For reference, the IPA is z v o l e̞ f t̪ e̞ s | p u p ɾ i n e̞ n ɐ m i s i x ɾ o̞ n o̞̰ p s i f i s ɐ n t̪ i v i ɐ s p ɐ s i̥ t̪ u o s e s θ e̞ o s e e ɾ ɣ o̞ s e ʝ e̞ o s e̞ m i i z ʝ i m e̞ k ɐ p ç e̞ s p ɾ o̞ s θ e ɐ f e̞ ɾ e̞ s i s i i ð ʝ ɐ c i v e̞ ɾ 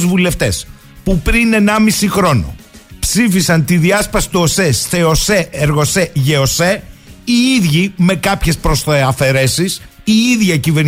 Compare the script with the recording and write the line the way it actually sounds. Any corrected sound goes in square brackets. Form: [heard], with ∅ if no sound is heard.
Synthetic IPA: z v [u] l e̞ f t̪ e̞ s | p u p ɾ i n e̞ n ɐ m i s i x ɾ o̞ n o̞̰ p s i f i s ɐ n t̪ i [ð] i ɐ s p ɐ s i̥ t̪ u o s e s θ e̞ o s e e ɾ ɣ o̞ s e ʝ e̞ o s e̞ [∅] i i [ð] ʝ i m e̞ k ɐ p ç e̞ s p ɾ o̞ s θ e ɐ f e̞ ɾ e̞ s i s i i ð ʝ ɐ c i v e̞ ɾ